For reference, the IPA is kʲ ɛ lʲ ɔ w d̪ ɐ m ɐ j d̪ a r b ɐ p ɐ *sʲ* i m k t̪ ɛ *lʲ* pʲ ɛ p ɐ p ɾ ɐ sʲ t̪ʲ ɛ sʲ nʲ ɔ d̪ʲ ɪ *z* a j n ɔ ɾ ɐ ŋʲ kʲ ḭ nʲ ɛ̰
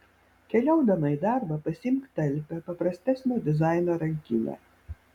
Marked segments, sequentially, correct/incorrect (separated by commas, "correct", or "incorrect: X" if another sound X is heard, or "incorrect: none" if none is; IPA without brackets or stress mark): correct, correct, correct